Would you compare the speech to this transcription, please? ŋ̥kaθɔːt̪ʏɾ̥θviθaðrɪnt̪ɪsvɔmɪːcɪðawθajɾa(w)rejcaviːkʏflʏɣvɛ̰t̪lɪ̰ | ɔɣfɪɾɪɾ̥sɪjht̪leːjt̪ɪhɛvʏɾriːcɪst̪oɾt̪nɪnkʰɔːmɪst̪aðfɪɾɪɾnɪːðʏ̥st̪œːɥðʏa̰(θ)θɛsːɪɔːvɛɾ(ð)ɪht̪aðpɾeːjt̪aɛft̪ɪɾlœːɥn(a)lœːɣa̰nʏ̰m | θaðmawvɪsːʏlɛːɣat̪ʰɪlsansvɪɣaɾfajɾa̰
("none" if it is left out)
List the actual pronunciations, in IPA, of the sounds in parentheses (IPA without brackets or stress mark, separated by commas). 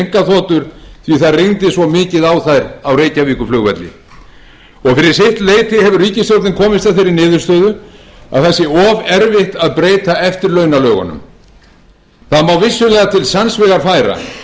w, ð, v, a